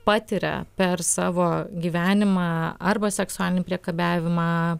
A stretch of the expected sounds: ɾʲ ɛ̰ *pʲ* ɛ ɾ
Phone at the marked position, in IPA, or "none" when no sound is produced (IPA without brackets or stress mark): pʲ